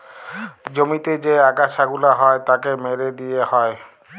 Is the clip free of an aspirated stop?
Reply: yes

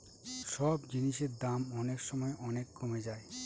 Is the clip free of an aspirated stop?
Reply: yes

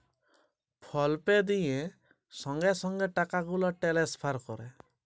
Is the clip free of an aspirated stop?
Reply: no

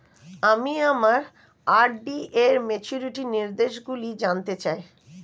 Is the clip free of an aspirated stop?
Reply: yes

